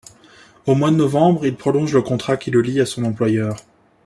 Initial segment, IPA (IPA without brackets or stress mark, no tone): o